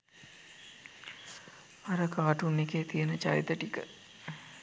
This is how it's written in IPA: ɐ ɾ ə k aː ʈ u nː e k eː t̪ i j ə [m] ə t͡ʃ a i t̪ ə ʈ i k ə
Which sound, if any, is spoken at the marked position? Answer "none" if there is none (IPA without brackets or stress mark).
n